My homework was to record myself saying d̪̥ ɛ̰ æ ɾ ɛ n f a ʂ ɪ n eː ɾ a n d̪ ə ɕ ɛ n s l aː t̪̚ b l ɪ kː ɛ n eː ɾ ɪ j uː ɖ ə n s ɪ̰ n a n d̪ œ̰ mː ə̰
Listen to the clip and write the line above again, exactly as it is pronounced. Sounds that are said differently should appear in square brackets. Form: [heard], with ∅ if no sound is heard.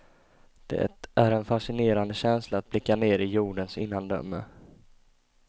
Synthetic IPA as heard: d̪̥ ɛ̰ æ ɾ ɛ n f a ʂ ɪ n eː ɾ a n d̪ ə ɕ ɛ n s l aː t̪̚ b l ɪ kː [a] n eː ɾ ɪ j uː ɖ ə n s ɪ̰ [nː] a n d̪ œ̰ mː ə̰